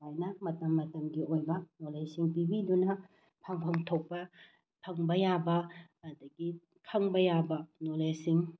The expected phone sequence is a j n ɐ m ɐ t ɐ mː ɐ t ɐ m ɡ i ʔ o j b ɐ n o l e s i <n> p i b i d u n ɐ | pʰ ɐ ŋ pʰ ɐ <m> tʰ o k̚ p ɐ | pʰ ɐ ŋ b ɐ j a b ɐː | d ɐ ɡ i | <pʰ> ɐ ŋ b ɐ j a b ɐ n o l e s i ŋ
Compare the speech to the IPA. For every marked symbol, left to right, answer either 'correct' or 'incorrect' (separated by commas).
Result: incorrect, incorrect, incorrect